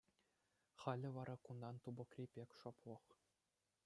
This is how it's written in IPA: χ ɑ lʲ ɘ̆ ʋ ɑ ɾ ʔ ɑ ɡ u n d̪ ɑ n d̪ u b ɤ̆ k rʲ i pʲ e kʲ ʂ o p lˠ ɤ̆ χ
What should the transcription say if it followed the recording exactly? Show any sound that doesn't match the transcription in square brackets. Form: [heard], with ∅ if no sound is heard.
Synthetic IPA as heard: χ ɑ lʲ ɘ̆ ʋ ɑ ɾ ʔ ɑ [k] u n d̪ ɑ n [t̪] u b ɤ̆ k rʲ i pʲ e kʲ ʂ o p lˠ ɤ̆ χ